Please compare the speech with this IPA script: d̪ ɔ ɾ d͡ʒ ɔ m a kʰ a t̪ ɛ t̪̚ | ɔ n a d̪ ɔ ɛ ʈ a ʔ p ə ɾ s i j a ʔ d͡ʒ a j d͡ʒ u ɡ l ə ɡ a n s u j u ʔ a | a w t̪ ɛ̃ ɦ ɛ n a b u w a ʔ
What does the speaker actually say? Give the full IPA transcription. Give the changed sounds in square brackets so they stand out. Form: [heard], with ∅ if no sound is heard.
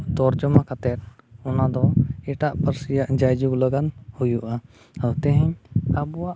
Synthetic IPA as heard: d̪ ɔ ɾ d͡ʒ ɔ m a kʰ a t̪ ɛ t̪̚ | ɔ n a d̪ ɔ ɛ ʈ a ʔ p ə ɾ s i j a ʔ d͡ʒ a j d͡ʒ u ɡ l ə ɡ a n [h] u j u ʔ a | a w t̪ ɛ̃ ɦ ɛ [ɲ] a b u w a ʔ

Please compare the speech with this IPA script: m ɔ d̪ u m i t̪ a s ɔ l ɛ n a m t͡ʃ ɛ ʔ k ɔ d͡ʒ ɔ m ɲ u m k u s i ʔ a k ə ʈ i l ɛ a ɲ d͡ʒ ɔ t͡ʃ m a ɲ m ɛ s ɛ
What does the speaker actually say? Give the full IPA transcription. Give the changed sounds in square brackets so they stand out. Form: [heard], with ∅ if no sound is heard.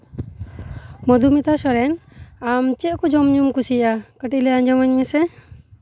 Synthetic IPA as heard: m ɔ d̪ u m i t̪ a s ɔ [ɾ] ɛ n a m t͡ʃ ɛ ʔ k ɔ d͡ʒ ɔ m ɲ u m k u s i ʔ a k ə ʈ i l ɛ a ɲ d͡ʒ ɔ [∅] m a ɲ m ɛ s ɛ

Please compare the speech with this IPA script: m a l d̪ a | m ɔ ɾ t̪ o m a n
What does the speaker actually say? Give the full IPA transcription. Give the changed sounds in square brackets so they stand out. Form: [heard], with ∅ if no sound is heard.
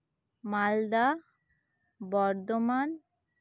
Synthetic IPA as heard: m a l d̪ a | [b] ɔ ɾ [d̪] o m a n

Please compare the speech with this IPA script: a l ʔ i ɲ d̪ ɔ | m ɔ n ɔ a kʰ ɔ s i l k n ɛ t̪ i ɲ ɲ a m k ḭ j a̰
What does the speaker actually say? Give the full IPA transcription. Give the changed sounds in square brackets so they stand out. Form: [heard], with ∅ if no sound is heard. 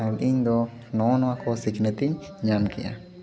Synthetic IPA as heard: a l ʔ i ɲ d̪ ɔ | [n] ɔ n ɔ a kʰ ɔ s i [∅] k n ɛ t̪ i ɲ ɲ a m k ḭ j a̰

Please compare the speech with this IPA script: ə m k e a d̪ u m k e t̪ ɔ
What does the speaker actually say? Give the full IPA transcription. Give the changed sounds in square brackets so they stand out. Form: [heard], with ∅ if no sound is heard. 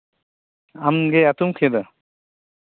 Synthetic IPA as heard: [a] m [ɡ] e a [t̪] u m [kʰ] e [d̪] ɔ

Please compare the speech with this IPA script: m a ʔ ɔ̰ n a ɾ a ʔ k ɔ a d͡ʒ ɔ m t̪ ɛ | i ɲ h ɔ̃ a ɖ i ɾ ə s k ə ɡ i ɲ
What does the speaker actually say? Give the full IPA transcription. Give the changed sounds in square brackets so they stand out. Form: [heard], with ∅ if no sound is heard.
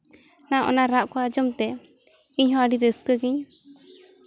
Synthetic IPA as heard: [n] a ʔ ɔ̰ n a ɾ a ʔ k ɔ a d͡ʒ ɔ m t̪ ɛ | i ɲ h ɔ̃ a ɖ i ɾ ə s k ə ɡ i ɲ

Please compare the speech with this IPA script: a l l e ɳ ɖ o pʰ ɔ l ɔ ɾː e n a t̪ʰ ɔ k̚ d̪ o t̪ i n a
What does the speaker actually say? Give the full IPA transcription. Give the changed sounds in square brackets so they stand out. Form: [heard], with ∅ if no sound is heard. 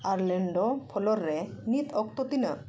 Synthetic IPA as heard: a [ɾ] l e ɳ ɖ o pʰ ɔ l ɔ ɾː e n [i] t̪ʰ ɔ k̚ [t̪] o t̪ i n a

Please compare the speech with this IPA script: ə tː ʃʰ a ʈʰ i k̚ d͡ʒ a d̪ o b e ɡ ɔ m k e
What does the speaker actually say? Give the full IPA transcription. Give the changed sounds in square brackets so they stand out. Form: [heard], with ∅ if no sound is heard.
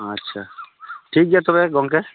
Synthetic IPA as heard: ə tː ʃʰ a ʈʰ i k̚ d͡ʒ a [t̪] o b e ɡ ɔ [ŋ] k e

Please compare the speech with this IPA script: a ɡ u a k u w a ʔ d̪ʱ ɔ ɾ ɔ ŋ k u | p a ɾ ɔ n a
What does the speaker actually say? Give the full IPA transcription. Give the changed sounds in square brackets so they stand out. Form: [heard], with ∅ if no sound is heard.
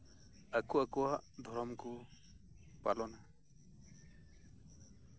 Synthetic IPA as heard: a [k] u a k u w a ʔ d̪ʱ ɔ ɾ ɔ [m] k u | p a [l] ɔ n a

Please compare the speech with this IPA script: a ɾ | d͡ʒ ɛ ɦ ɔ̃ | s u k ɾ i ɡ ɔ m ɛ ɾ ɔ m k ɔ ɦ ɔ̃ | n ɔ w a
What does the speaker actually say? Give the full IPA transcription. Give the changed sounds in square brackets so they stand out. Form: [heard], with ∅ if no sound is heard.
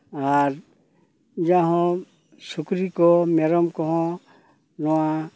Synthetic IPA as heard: a ɾ | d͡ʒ [a] ɦ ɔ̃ | s u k ɾ i [k] ɔ m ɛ ɾ ɔ m k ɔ ɦ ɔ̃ | n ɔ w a

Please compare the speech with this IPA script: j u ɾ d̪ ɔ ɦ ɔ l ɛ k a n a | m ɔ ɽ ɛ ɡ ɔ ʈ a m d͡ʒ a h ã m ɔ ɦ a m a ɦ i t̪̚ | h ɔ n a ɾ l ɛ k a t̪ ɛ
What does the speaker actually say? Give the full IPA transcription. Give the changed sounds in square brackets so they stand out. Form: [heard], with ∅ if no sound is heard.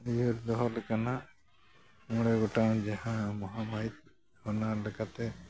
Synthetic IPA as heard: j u ɾ d̪ ɔ ɦ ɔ l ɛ k a n a | m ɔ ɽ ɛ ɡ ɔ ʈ a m d͡ʒ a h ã m ɔ ɦ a m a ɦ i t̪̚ | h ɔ n a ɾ l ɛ k a t̪ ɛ

